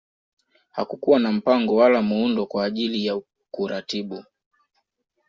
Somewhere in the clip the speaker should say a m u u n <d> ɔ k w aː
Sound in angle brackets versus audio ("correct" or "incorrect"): correct